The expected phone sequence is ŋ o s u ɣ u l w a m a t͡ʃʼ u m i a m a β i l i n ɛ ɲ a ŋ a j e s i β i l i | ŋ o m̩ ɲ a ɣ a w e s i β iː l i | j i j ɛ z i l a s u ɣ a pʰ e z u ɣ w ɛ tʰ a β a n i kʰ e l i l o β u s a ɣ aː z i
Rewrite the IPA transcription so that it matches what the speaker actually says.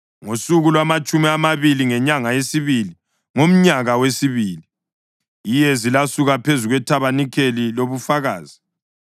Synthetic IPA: ŋ o s u ɣ u l w a m a t͡ʃʼ u m i a m a β i l i ŋ ɛ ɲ a ŋ a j e s i β i l i | ŋ o m̩ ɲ a ɣ a w e s i β iː l i | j i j ɛ z i l a s u ɣ a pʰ e z u ɣ w ɛ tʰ a β a n i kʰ e l i l o β u f a ɣ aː z i